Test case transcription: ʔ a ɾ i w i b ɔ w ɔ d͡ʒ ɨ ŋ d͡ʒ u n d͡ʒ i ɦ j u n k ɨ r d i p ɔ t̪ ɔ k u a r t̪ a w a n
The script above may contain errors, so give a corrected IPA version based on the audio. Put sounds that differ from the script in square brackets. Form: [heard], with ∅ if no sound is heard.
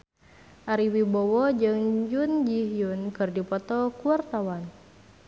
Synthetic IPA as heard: ʔ a ɾ i w i b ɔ w ɔ d͡ʒ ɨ ŋ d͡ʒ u n d͡ʒ i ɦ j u n k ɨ r d i p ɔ t̪ ɔ k u a r t̪ a w a n